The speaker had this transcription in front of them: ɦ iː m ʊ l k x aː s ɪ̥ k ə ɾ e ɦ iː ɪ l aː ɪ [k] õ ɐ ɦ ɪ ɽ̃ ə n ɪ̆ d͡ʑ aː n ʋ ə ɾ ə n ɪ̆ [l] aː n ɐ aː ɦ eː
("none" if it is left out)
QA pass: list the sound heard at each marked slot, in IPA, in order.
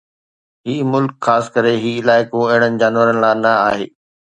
k, l

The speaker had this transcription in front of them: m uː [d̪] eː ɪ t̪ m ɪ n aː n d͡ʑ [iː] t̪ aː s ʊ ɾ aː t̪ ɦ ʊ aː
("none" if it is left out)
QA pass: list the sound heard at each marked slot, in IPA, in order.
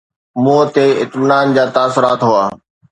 t̪, aː

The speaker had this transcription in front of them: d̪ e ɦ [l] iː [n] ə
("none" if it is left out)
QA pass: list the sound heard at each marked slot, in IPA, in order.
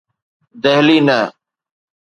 l, n

